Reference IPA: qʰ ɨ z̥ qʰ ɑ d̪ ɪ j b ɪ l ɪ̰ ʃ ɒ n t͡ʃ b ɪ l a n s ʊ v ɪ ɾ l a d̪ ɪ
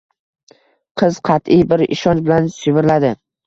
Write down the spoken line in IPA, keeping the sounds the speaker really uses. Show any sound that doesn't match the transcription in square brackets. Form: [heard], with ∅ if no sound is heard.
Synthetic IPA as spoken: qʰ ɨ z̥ qʰ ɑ [t̪] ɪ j b ɪ [ɾ] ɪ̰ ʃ ɒ n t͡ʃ b ɪ l a n s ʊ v ɪ ɾ l a d̪ ɪ